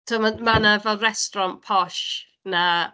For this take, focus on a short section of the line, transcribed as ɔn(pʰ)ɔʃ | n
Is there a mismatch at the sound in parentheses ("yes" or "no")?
no